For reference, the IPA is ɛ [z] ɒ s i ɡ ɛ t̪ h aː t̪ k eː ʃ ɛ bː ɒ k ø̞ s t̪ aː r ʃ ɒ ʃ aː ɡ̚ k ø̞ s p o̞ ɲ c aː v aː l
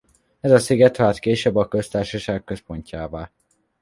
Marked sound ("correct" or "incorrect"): correct